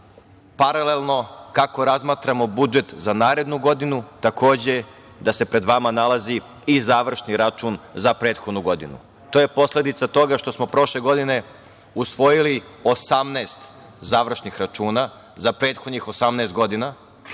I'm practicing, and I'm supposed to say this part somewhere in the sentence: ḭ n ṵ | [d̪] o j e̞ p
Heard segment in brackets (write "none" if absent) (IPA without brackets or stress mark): t̪